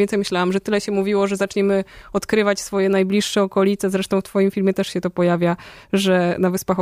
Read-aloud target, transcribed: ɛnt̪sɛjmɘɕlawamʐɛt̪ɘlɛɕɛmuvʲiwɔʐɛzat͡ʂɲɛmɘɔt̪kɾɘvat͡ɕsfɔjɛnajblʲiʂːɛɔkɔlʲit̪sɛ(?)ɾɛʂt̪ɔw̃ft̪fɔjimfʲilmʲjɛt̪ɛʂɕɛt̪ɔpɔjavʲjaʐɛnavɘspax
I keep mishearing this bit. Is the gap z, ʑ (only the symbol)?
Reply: z